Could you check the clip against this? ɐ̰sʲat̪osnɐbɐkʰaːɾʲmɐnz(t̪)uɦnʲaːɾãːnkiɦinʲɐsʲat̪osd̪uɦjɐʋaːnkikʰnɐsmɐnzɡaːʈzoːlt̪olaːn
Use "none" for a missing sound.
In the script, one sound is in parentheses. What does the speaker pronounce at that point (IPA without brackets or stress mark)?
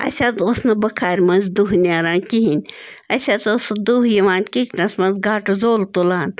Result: d̪